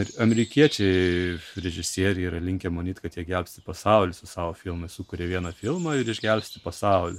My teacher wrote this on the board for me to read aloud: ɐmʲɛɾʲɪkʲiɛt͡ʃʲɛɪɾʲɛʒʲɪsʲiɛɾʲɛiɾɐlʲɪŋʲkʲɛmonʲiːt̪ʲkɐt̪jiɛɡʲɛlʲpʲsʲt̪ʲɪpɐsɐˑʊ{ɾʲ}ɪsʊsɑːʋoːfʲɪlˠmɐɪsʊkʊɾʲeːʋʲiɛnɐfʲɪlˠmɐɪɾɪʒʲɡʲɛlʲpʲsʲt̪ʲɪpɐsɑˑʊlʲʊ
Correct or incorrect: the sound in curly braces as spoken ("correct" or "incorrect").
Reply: incorrect